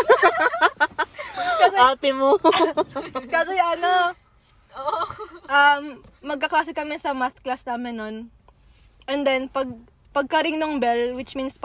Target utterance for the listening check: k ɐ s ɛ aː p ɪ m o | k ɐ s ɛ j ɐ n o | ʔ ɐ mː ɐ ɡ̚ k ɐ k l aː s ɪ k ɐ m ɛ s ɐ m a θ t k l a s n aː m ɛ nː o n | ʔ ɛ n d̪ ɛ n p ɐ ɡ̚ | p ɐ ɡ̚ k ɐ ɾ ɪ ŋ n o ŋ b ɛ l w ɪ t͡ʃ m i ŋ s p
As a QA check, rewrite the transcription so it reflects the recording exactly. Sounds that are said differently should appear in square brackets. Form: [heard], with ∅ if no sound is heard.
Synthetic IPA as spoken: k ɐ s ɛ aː p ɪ m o | k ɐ s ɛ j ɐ n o | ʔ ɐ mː ɐ ɡ̚ k ɐ k l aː s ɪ k ɐ m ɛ s ɐ m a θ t k l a s n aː m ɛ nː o n | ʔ ɛ n d̪ ɛ n p ɐ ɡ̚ | p ɐ ɡ̚ k ɐ ɾ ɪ ŋ n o ŋ b ɛ l w ɪ t͡ʃ m i [n] s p